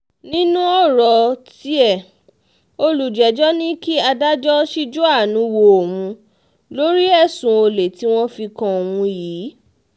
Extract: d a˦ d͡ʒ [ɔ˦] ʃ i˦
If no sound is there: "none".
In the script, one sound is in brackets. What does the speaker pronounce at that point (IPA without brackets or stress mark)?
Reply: ɔ˦